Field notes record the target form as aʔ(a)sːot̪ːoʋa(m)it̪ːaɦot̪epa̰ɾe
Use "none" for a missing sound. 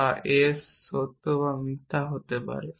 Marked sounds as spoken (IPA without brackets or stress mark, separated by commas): e, m